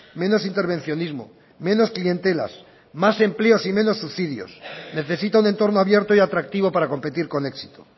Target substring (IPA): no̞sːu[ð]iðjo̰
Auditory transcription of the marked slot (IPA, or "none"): θ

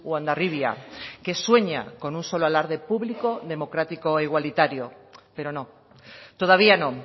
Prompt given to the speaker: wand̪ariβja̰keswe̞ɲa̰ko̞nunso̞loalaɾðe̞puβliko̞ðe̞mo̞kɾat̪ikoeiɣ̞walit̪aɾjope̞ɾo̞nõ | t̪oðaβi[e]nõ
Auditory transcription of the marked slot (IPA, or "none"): a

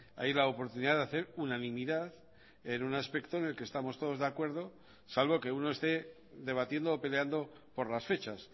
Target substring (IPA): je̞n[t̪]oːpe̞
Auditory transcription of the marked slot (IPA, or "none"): d̪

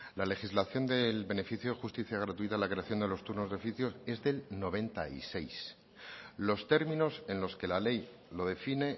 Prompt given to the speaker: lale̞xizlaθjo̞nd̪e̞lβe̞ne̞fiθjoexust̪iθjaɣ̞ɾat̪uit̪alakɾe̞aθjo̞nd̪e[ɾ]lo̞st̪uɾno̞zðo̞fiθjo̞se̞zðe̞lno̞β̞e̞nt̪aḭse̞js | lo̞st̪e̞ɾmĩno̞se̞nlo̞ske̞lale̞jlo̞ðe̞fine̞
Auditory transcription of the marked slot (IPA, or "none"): none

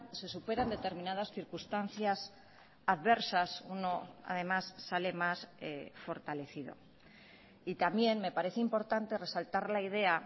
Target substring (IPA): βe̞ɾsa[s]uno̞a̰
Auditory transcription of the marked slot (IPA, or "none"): s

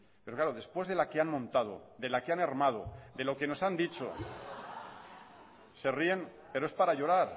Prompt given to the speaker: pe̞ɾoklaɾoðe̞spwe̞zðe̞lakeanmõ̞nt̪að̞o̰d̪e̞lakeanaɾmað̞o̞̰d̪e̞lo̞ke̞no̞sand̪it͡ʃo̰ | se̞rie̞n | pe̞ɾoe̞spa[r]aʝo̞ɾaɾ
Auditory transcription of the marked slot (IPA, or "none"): ɾ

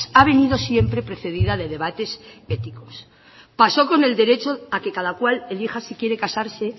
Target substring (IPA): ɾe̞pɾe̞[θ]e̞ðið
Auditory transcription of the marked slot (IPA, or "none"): θ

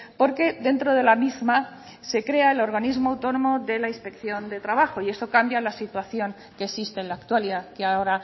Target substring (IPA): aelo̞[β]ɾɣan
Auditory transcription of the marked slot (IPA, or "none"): none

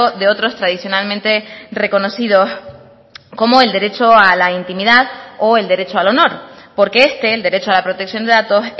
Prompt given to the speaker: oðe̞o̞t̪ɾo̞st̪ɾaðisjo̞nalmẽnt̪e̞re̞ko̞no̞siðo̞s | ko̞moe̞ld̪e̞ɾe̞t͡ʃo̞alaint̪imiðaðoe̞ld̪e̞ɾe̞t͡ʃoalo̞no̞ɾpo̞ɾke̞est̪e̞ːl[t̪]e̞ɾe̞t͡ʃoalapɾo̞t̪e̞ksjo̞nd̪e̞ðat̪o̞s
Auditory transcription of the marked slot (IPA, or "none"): d̪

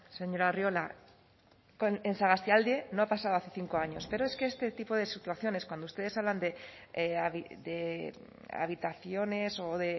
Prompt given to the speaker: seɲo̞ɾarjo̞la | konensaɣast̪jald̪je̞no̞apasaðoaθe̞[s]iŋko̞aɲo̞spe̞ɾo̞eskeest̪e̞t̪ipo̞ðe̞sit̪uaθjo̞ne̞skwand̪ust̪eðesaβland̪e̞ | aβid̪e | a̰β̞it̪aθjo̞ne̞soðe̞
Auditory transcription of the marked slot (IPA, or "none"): θ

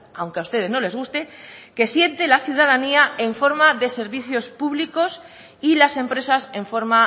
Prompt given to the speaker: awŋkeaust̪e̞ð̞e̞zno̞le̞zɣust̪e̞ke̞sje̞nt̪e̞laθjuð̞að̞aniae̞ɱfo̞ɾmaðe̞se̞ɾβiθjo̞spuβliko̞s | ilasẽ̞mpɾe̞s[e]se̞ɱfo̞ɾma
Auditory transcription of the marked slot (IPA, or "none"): a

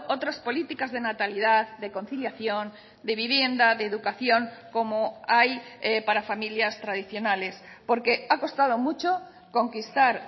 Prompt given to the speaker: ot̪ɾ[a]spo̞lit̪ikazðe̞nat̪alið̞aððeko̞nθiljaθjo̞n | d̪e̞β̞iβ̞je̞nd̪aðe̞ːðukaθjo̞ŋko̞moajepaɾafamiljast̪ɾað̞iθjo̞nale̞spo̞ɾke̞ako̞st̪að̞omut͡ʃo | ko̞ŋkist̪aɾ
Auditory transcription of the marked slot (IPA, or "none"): a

